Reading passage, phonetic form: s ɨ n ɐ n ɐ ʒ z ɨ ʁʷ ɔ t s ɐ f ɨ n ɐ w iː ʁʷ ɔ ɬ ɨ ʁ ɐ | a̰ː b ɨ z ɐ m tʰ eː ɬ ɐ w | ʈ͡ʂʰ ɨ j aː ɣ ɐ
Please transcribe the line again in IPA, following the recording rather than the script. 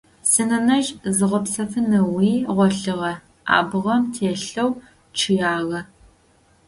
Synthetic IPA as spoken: s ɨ n ɐ n ɐ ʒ z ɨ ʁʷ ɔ p s ɐ f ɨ n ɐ w iː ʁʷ ɔ ɬ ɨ ʁ ɐ | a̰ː b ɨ ʁ ɐ m tʰ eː ɬ ɐ w | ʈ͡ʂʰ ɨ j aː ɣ ɐ

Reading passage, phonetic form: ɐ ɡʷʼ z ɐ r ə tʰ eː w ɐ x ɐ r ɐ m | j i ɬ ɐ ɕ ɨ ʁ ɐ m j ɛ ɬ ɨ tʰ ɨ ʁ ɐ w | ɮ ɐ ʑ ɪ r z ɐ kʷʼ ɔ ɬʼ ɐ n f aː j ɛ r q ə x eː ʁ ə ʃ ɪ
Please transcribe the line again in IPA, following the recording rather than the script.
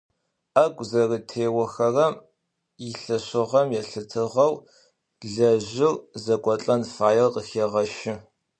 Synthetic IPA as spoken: ɐ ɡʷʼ z ɐ r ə tʰ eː w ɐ x ɐ r ɐ m | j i ɬ ɐ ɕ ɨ ʁ ɐ m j ɛ ɬ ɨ tʰ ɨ ʁ ɐ w | ɮ ɐ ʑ ɪ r z ɐ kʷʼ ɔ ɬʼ ɐ n f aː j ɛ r q ə x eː ʁ ɐ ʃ ɪ

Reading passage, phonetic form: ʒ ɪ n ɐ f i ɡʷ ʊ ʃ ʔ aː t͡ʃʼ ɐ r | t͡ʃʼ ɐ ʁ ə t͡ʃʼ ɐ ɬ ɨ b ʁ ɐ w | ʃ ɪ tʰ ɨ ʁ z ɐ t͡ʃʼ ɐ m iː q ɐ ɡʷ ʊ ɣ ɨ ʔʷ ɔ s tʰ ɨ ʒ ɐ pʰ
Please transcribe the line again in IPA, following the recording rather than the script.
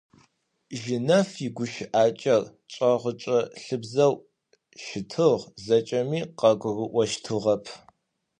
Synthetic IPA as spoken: ʒ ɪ n ɐ f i ɡʷ ʊ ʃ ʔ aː t͡ʃʼ ɐ r | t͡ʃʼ ɐ ʁ ə t͡ʃʼ ɐ ɬ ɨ b z ɐ w | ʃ ɪ tʰ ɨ ʁ z ɐ t͡ʃʼ ɐ m iː q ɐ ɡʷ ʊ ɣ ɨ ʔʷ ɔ ʃ tʰ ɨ ʁ ɐ pʰ

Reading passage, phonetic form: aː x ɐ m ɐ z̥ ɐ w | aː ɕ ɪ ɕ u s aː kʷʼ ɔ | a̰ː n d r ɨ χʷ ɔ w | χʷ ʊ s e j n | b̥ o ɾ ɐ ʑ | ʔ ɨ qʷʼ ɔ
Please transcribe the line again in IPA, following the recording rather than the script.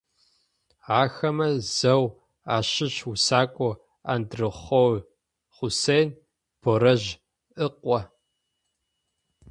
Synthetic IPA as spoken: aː x ɐ m ɐ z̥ ɐ w | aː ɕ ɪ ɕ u s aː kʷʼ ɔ | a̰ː n d r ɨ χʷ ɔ w | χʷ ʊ s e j n | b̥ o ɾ ɐ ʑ | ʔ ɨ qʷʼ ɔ

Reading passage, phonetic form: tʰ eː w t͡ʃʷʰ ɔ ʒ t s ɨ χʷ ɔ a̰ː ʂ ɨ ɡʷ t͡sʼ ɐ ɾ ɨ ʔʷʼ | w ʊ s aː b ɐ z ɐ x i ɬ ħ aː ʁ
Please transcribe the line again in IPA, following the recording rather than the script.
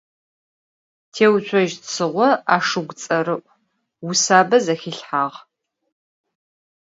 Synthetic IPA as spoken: tʰ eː w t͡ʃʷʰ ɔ ʒ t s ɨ ʁʷ ɔ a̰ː ʂ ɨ ɡʷ t͡sʼ ɐ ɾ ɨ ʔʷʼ | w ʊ s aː b ɐ z ɐ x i ɬ ħ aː ʁ

